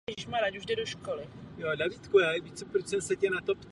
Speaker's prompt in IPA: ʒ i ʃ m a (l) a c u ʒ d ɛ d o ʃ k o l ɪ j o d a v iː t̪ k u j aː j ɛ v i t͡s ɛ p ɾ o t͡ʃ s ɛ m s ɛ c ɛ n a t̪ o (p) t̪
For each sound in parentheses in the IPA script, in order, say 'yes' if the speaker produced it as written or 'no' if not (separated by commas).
no, yes